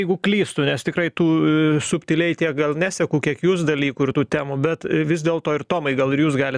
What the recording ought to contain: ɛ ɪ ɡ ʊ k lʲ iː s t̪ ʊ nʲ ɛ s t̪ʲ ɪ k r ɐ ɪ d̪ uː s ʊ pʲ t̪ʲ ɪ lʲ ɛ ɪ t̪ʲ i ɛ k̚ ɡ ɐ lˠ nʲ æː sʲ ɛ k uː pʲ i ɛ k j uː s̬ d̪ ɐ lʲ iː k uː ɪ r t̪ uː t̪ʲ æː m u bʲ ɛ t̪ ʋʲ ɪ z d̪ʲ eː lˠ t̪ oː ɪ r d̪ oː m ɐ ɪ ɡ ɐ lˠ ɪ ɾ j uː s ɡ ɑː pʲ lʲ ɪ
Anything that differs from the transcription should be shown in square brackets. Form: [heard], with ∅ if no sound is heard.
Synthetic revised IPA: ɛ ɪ ɡ ʊ k lʲ iː s t̪ ʊ nʲ ɛ s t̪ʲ ɪ k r ɐ ɪ [t̪] uː s ʊ pʲ t̪ʲ ɪ lʲ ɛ ɪ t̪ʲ i ɛ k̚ ɡ ɐ lˠ nʲ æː sʲ ɛ k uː [kʲ] i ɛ k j uː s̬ d̪ ɐ lʲ iː k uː ɪ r t̪ uː t̪ʲ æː m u bʲ ɛ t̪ ʋʲ ɪ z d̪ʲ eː lˠ t̪ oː ɪ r [t̪] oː m ɐ ɪ ɡ ɐ lˠ ɪ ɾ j uː s ɡ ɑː [∅] lʲ ɪ

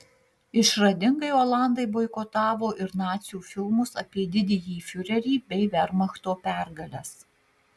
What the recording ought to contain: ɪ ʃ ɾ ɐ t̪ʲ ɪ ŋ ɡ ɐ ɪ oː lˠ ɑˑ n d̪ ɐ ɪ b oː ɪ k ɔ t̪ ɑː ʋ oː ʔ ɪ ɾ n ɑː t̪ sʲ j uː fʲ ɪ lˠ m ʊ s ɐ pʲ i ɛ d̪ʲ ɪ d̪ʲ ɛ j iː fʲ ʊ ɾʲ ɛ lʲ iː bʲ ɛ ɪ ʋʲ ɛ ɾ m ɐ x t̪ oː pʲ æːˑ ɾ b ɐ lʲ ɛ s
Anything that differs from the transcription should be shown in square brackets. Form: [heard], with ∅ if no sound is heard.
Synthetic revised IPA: ɪ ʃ ɾ ɐ [d̪ʲ] ɪ ŋ ɡ ɐ ɪ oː lˠ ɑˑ n d̪ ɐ ɪ b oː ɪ k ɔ t̪ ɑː ʋ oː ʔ ɪ ɾ n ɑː t̪ sʲ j uː fʲ ɪ lˠ m ʊ s ɐ pʲ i ɛ d̪ʲ ɪ d̪ʲ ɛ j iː fʲ ʊ ɾʲ ɛ [ɾʲ] iː bʲ ɛ ɪ ʋʲ ɛ ɾ m ɐ x t̪ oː pʲ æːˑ ɾ [ɡ] ɐ lʲ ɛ s

